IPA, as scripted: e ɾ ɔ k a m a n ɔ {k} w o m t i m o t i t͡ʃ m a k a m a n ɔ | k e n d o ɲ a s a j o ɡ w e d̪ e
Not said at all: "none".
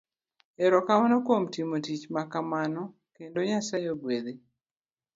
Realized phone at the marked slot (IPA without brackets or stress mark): k